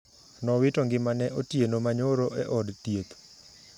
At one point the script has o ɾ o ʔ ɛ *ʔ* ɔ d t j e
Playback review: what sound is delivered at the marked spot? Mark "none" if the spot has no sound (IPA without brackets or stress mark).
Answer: ʔ